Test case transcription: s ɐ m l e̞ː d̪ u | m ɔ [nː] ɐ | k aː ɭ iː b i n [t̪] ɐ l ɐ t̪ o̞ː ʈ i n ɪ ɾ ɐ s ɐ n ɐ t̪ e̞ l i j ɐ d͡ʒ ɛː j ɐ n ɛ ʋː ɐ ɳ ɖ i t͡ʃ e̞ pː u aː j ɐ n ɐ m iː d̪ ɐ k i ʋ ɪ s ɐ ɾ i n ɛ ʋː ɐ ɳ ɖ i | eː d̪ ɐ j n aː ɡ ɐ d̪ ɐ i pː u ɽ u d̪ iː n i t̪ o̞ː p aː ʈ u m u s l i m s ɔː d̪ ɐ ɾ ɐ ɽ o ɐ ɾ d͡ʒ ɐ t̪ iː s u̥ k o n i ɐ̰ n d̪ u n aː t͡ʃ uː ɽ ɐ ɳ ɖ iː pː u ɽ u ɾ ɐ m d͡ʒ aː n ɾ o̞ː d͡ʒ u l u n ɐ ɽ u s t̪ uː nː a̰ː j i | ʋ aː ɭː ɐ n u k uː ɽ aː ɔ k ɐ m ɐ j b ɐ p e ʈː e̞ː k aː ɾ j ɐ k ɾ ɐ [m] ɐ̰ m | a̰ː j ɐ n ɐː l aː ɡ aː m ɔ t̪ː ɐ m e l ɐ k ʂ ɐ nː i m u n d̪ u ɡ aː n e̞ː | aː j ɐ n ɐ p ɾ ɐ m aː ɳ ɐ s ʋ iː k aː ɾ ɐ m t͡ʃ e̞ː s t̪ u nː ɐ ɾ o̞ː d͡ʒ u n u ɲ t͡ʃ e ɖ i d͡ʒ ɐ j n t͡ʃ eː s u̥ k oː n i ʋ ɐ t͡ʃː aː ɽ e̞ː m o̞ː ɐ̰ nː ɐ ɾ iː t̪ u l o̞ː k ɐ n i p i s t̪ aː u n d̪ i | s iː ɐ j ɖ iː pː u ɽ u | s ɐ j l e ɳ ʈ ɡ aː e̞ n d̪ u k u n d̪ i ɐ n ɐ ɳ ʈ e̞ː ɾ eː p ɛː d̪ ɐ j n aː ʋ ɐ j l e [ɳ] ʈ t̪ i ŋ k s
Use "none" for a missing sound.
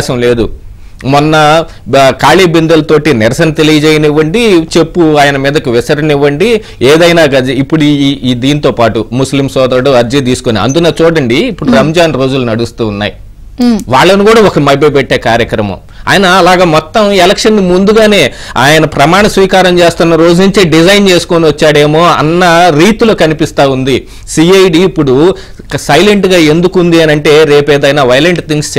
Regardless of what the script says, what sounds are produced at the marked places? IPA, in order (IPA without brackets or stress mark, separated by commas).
nː, d̪, m, ɳ